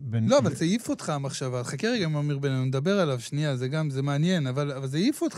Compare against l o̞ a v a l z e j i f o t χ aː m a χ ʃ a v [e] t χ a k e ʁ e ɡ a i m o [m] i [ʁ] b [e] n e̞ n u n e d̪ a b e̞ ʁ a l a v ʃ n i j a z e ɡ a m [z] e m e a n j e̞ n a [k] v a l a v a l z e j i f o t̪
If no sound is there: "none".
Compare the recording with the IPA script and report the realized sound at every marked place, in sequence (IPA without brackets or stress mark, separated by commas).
a, m, ʁ, e, z, none